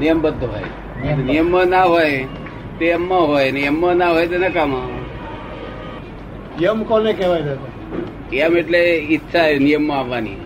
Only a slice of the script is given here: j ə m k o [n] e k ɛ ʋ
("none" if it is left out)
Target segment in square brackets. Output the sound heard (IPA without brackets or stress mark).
n